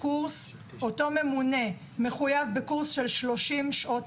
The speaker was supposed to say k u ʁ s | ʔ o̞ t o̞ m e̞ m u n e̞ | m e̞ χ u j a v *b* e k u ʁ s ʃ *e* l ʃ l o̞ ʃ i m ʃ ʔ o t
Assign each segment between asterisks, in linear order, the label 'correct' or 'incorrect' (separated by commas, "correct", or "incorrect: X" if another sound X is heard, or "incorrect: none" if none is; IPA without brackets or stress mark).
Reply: correct, correct